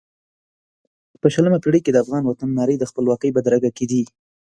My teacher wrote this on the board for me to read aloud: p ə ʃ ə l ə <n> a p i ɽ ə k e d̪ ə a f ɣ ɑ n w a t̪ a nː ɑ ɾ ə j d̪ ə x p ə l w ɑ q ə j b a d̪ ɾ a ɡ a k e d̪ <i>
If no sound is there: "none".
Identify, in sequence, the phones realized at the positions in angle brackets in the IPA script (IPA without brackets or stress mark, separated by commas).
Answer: m, i